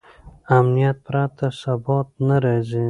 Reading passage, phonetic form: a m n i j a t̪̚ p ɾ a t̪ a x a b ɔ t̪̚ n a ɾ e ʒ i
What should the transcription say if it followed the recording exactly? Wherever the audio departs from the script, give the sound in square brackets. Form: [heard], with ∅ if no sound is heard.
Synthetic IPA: a m n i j a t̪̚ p ɾ a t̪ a [s] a b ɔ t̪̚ n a ɾ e [z] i